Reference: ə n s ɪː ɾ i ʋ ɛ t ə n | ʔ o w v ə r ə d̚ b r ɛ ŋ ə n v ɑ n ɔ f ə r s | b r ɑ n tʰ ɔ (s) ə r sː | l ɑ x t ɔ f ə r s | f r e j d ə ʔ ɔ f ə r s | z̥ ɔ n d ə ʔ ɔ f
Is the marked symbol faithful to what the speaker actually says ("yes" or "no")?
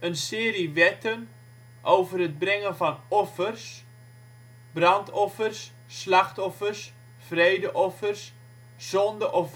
no